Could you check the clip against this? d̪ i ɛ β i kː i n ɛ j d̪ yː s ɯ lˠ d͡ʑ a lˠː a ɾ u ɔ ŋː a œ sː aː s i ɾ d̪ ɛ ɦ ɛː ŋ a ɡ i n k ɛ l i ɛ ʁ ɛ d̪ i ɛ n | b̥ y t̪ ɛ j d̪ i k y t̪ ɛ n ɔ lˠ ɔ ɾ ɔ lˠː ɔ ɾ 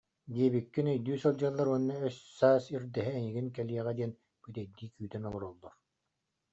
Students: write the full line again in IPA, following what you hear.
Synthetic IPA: d̪ i ɛ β i kː i n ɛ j d̪ yː s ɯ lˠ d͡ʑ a lˠː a ɾ u ɔ nː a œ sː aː s i ɾ d̪ ɛ ɦ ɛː ŋ i ɡ i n k ɛ l i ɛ ʁ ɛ d̪ i ɛ n | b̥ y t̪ ɛ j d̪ iː k yː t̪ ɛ n ɔ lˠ ɔ ɾ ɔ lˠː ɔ ɾ